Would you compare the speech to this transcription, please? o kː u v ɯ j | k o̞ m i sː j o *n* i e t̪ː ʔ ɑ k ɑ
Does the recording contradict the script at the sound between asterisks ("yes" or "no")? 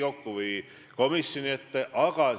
no